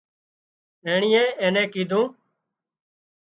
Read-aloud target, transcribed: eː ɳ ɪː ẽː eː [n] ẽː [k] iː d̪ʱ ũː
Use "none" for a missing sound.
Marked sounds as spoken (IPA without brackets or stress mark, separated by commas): n, k